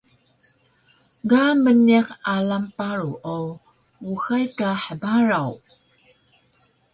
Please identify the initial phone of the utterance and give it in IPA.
ɡ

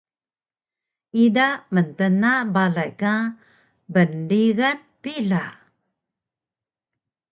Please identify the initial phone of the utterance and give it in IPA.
i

